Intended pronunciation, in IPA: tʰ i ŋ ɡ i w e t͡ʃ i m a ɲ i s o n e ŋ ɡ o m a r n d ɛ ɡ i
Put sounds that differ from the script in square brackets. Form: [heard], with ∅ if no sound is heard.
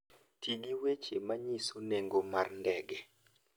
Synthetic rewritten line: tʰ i [∅] ɡ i w e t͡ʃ [e] m a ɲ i s o n e ŋ ɡ o m a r n d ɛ ɡ [ɛ]